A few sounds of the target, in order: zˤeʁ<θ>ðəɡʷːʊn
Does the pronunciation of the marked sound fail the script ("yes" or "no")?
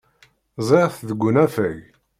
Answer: no